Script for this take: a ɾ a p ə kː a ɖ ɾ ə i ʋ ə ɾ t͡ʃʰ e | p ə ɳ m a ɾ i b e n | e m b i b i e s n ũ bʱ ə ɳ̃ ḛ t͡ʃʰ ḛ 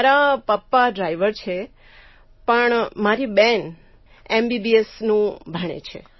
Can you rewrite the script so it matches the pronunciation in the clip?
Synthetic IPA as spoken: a ɾ a p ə pː a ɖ ɾ a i ʋ ə ɾ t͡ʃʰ e | p ə ɳ m a ɾ i b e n | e m b i b i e s n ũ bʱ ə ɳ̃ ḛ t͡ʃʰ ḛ